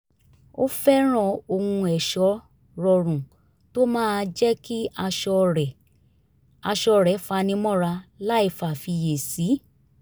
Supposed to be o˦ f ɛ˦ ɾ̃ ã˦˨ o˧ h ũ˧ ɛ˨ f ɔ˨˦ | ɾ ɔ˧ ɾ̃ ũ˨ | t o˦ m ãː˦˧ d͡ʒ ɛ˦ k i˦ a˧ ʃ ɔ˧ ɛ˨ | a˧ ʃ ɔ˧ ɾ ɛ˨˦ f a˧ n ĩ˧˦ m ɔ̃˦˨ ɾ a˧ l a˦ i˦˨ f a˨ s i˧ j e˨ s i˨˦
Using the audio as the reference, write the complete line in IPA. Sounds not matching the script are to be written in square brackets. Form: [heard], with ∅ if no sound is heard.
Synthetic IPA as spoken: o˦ f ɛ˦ ɾ̃ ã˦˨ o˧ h ũ˧ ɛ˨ [ʃ] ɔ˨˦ | ɾ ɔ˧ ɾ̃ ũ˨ | t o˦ m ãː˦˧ d͡ʒ ɛ˦ k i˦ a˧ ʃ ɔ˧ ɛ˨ | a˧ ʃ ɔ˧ ɾ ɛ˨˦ f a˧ n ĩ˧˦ m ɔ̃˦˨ ɾ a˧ l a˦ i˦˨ f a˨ [f] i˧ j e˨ s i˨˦